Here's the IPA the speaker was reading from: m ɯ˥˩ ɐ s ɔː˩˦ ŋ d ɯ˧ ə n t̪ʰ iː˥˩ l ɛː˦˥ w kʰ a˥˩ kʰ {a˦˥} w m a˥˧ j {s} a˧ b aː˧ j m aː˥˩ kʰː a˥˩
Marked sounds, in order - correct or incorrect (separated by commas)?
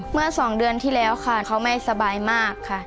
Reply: correct, correct